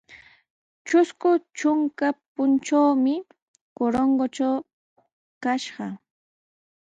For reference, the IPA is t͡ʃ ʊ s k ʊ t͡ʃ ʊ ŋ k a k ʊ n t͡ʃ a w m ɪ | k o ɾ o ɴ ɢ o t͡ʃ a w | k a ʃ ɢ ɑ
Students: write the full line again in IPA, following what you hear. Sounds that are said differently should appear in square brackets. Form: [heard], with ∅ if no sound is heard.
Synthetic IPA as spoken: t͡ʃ ʊ s k ʊ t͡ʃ ʊ ŋ k a [p] ʊ n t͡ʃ a w m ɪ | k o ɾ o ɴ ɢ o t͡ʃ a w | k a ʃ ɢ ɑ